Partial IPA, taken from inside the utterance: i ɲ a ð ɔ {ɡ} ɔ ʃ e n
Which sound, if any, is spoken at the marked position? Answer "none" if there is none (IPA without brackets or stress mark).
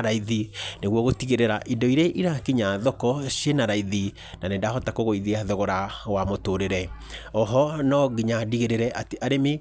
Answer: k